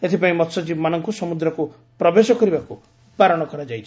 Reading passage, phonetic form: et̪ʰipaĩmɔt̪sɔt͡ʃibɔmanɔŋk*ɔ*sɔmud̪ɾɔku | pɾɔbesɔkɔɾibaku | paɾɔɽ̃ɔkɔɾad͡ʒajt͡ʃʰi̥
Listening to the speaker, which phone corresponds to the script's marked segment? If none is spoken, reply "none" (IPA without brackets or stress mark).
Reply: u